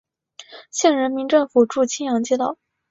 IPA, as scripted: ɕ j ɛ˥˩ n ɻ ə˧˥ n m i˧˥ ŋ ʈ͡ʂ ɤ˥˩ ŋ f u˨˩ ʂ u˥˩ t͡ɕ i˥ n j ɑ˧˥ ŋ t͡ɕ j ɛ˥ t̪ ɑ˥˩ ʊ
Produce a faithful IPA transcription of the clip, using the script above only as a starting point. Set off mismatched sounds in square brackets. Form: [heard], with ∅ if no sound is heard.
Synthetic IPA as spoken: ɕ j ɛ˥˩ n ɻ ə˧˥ n m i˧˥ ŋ ʈ͡ʂ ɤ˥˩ ŋ f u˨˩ [ʈ͡ʂ] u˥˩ [t͡ɕʰ] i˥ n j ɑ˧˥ ŋ t͡ɕ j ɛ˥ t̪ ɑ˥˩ ʊ